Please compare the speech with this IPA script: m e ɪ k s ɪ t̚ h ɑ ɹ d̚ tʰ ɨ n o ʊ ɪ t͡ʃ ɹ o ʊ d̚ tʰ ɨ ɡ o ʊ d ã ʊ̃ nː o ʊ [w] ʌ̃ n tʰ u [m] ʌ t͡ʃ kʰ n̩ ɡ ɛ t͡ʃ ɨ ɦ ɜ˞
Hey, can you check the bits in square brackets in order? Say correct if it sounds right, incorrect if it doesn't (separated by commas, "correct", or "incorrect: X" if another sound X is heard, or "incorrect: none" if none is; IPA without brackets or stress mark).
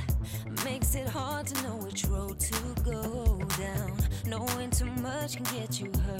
correct, correct